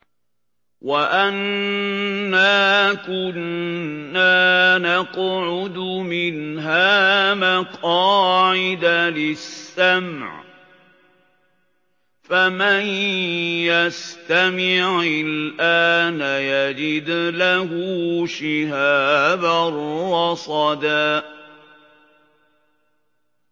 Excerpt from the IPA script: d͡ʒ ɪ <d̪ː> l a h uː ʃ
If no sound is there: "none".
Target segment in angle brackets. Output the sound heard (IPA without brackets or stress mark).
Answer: d̪